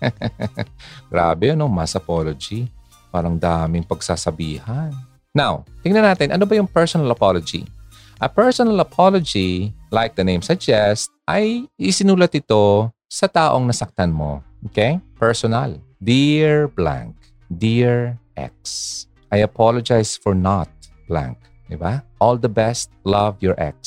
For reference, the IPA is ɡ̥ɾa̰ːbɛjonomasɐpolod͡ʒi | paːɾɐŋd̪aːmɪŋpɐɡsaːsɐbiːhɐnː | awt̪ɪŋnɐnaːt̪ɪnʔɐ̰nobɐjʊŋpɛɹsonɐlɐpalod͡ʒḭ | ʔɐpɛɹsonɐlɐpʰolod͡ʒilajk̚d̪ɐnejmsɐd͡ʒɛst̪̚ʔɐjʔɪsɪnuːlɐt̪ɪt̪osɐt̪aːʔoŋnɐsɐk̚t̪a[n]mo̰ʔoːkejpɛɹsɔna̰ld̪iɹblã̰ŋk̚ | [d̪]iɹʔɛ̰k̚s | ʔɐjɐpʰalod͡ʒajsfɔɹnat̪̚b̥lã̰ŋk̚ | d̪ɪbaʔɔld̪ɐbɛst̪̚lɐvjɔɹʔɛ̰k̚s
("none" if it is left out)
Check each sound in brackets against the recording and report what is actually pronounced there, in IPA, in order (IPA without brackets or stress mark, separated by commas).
n, d̪